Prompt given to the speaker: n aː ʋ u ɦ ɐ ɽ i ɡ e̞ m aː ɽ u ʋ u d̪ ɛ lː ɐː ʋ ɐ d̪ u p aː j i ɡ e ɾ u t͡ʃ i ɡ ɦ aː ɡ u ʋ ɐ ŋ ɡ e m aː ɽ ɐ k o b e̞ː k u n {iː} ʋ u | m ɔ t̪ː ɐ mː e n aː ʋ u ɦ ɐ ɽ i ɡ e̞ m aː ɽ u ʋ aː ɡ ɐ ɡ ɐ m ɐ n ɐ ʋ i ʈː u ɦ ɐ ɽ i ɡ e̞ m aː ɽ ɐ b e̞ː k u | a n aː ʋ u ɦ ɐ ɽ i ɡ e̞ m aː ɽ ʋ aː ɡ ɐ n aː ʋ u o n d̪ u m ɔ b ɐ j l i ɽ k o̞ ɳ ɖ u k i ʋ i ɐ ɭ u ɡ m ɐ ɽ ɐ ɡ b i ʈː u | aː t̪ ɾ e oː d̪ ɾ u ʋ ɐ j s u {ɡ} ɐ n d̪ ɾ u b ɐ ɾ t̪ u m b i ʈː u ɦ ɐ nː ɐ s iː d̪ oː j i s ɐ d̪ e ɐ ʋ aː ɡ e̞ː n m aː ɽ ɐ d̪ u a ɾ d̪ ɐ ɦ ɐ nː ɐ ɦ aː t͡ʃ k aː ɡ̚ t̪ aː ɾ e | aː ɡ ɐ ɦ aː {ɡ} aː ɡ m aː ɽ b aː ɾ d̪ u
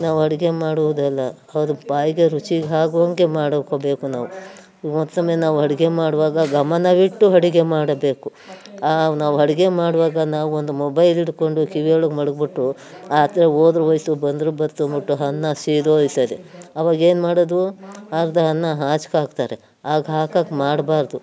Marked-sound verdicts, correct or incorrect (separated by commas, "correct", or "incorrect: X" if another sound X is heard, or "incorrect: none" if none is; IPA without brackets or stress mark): incorrect: aː, incorrect: b, incorrect: k